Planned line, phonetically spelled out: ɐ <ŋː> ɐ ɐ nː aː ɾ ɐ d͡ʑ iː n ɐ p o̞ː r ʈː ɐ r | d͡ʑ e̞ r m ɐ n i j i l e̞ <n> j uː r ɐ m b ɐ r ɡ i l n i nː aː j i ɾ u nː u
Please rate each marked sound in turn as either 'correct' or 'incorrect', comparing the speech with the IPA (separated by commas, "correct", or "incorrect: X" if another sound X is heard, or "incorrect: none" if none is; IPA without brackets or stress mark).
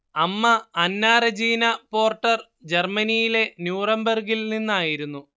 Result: incorrect: mː, correct